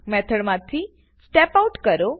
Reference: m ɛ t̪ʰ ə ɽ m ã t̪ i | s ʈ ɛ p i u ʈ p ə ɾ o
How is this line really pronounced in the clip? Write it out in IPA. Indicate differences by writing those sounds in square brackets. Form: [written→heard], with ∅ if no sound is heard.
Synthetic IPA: m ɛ t̪ʰ ə ɽ m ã [t̪→t̪ʰ] i | s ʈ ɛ p [i→a] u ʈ [p→k] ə ɾ o

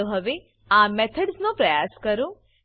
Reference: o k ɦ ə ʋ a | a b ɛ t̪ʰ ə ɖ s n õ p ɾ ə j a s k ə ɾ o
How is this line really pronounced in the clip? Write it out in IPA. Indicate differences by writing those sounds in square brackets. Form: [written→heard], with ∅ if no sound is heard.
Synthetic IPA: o [k→∅] ɦ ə ʋ [a→e] | a [b→m] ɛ t̪ʰ ə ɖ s n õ p ɾ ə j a s k ə ɾ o

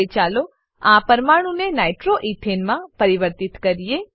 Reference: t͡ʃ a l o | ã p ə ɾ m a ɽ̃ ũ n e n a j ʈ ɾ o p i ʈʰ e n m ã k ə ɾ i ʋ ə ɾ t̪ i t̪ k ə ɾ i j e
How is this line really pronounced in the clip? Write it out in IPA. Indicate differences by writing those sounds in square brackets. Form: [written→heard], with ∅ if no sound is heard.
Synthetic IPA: t͡ʃ a l o | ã p ə ɾ m a ɽ̃ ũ n e n a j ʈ ɾ o [p→ʔ] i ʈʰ e n m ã [k→p] ə ɾ i ʋ ə ɾ t̪ i t̪ k ə ɾ i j e

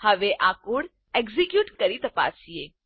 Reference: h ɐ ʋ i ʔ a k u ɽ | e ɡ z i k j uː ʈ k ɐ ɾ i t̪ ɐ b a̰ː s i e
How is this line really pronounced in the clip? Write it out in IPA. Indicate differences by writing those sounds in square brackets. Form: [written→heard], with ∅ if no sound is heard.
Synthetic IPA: h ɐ ʋ [i→e] ʔ a k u ɽ | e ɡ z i k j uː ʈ k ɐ ɾ i t̪ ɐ [b→p] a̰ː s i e

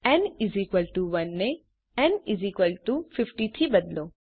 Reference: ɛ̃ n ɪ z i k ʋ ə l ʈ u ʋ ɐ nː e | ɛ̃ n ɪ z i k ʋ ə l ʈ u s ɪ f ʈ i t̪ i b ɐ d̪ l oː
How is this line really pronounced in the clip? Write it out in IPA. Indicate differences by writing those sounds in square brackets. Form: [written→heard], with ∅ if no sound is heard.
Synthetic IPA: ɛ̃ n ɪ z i k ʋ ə l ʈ u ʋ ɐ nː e | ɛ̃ n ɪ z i k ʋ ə l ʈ u [s→f] ɪ f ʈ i [t̪→t̪ʰ] i b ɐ d̪ l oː

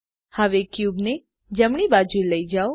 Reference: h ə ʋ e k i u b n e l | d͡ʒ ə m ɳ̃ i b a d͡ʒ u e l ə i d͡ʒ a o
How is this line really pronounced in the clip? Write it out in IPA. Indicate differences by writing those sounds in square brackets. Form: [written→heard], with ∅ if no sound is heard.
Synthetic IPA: h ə ʋ e k [i→j] u b n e [l→∅] | d͡ʒ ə m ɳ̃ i b a d͡ʒ u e l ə i d͡ʒ a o

